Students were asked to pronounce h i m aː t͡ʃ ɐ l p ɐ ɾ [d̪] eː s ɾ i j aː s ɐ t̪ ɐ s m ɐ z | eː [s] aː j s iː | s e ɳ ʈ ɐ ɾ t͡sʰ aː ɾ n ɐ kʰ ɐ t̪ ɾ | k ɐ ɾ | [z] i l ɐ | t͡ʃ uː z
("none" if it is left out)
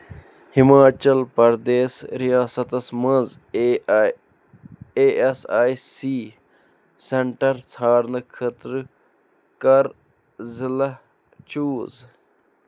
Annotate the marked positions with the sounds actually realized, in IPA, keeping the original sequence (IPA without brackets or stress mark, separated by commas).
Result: d̪, s, z